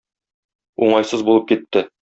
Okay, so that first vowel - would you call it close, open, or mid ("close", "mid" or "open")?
close